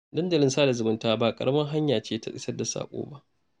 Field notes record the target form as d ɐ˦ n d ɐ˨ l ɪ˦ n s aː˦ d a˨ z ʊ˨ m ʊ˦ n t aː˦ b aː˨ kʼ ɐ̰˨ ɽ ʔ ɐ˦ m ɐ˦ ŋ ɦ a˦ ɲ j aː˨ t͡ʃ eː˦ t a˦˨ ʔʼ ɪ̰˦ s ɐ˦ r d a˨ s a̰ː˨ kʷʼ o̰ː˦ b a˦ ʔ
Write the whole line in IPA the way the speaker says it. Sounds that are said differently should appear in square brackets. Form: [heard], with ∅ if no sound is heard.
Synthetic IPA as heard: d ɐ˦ n d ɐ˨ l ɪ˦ n s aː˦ d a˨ z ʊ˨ m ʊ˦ n t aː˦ b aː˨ kʼ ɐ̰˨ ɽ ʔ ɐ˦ m ɐ˦ ŋ ɦ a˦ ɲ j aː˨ t͡ʃ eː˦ t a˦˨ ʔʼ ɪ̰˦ s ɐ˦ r d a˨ s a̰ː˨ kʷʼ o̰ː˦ b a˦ ʔ